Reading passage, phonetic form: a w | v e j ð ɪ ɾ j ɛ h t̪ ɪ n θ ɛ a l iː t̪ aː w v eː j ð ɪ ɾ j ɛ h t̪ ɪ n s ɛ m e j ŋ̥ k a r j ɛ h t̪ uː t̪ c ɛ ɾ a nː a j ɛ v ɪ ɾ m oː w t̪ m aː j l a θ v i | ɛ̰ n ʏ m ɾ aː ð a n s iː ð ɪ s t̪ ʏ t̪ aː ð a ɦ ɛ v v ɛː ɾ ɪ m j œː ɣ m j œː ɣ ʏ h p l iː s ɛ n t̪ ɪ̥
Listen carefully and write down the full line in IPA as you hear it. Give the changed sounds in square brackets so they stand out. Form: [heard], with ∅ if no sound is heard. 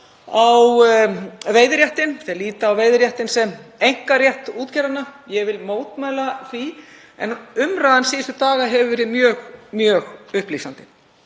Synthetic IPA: a w | v e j ð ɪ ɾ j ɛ h t̪ ɪ n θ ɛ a l iː t̪ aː w v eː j ð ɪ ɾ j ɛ h t̪ ɪ n s ɛ m e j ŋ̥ k a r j ɛ h t̪ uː t̪ c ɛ ɾ a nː a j ɛ v ɪ [l] m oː w t̪ m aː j l a θ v i | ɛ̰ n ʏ m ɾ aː ð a n s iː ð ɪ s t̪ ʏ t̪ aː [ɣ] a ɦ ɛ v v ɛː ɾ ɪ m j œː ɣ m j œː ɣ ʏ h p l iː s [a] n t̪ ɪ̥